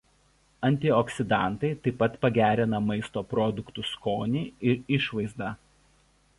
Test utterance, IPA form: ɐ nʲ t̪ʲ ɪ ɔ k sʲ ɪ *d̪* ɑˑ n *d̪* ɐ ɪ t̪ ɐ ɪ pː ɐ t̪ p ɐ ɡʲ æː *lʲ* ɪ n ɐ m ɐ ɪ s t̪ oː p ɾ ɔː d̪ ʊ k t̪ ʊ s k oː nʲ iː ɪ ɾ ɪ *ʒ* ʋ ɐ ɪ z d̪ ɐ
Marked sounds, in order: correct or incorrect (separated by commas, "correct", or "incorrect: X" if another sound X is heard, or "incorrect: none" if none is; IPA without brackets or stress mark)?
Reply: correct, incorrect: t̪, incorrect: ɾʲ, incorrect: ʃ